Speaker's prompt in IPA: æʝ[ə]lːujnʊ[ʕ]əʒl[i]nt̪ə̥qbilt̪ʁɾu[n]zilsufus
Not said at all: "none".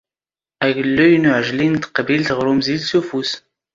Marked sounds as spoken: ə, ʕ, i, m

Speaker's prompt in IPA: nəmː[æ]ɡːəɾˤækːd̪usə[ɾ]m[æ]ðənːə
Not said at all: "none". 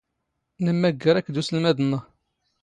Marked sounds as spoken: æ, l, æ

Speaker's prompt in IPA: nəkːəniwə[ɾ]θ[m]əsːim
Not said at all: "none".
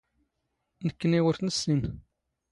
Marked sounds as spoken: ɾ, n

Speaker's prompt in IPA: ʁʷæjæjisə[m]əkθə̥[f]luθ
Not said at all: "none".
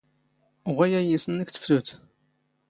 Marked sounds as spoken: n, f

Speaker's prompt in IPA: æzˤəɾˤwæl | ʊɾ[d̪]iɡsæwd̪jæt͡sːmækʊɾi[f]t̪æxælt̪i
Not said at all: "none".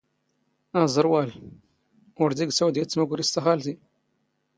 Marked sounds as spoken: d̪, s

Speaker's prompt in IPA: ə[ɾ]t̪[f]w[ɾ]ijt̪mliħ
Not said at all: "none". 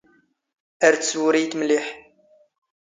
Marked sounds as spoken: ɾ, s, ɾ

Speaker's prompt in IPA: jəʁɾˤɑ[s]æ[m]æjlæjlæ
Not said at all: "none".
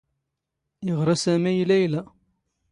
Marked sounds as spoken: s, m

